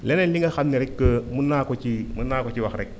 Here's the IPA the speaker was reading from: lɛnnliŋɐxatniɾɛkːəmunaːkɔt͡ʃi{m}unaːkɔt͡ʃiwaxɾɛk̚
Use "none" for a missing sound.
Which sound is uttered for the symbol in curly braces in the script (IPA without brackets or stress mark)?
m